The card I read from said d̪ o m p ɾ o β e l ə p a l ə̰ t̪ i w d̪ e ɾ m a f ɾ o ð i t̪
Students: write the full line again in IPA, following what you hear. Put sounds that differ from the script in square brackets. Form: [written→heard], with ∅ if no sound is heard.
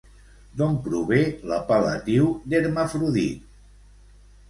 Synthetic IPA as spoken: d̪ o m p ɾ [o→u] β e l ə p a l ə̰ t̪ i w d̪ e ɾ m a f ɾ [o→u] ð i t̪